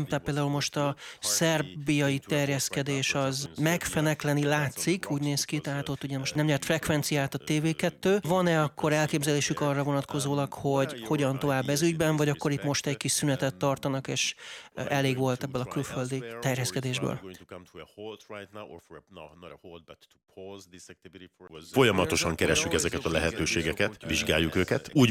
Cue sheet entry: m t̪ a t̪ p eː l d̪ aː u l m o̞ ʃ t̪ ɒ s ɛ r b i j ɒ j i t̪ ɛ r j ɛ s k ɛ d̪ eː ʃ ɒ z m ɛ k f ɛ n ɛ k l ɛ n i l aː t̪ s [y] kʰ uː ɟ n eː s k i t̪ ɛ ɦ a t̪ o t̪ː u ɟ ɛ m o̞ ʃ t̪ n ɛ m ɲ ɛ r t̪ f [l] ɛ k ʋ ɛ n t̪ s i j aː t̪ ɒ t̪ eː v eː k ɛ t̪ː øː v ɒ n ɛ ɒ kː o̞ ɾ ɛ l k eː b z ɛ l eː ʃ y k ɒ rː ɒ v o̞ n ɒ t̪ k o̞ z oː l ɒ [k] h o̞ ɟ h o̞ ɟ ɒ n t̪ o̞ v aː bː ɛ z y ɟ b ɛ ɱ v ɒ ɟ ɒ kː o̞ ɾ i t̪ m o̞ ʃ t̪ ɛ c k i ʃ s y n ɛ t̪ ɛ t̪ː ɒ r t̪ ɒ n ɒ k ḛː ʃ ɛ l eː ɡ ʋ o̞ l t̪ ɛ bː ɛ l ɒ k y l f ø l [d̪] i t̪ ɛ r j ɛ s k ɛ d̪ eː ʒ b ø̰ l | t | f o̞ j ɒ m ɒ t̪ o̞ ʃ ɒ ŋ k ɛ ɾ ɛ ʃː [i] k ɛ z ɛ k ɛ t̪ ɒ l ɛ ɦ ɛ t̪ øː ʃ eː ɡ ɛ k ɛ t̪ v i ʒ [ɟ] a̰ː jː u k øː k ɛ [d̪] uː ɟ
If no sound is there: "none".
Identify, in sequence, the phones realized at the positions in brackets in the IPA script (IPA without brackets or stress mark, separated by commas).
i, r, k, d̪, y, ɡ, t̪